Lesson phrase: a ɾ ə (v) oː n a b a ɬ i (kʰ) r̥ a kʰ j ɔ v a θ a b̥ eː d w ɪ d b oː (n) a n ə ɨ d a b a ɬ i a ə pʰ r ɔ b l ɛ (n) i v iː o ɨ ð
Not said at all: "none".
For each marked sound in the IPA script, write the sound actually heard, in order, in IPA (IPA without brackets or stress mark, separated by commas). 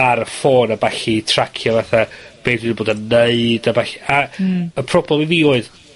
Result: f, tʰ, d, m